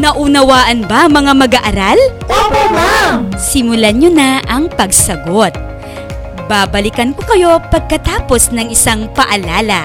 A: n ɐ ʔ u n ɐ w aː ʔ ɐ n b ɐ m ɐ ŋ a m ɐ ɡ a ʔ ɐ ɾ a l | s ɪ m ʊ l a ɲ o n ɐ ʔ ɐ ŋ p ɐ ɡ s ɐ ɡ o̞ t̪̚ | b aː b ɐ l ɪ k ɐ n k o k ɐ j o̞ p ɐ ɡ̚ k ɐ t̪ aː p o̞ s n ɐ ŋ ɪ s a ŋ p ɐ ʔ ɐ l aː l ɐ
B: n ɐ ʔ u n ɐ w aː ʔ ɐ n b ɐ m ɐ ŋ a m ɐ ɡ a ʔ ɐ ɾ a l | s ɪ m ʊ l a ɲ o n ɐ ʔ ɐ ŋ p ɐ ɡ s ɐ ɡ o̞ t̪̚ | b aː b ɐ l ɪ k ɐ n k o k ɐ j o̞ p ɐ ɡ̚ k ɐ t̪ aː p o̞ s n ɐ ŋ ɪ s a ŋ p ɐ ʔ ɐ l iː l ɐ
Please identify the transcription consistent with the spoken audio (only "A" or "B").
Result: A